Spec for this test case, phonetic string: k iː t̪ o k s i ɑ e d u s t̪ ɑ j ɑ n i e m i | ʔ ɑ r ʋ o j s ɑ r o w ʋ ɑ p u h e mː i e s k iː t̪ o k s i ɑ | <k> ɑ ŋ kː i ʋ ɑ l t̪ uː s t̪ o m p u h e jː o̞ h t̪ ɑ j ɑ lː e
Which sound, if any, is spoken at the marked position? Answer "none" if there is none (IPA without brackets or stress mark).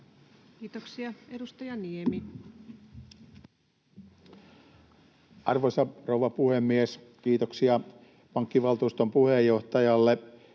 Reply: p